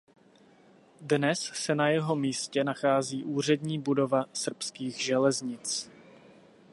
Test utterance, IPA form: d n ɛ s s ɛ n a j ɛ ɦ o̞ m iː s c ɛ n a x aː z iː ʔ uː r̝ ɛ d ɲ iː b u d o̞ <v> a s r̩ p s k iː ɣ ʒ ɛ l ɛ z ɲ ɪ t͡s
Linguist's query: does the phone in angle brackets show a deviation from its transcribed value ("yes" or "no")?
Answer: no